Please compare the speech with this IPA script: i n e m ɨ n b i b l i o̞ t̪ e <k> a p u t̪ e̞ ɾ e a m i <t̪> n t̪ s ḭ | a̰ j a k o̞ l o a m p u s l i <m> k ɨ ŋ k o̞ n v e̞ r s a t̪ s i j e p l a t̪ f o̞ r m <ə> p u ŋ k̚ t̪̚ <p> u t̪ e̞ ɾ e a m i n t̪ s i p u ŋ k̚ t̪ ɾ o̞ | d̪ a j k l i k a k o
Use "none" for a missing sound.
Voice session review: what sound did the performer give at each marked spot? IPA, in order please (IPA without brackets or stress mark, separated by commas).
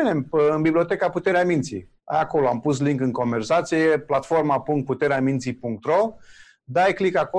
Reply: k, none, ŋ, a, p